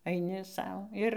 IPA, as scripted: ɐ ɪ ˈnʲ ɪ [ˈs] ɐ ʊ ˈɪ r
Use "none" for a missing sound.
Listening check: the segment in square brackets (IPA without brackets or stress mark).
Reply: s